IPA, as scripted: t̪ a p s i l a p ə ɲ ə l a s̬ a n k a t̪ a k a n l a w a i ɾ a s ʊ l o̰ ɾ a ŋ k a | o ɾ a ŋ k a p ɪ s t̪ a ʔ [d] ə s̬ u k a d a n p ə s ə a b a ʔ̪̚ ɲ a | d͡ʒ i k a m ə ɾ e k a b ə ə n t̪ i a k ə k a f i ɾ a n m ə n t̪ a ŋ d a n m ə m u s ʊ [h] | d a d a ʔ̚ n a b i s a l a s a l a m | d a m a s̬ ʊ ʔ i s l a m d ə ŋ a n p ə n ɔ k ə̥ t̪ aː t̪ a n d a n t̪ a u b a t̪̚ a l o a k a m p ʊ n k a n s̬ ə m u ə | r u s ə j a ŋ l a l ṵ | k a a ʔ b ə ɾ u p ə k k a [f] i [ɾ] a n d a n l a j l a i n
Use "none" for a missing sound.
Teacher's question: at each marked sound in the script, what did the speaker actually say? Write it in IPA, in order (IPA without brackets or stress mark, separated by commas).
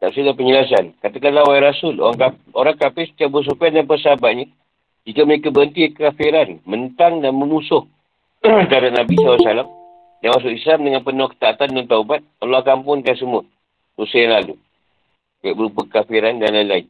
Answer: b, h, f, ɾ